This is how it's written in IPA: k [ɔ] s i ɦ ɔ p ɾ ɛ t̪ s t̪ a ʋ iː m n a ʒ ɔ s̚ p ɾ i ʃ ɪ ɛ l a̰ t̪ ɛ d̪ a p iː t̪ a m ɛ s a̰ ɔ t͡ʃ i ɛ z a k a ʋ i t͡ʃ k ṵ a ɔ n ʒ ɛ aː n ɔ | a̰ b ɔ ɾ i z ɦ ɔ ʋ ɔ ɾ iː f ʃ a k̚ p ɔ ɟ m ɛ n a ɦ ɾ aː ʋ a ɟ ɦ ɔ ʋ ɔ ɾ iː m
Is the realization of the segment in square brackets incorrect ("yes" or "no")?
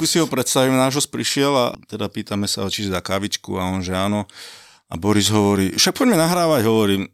yes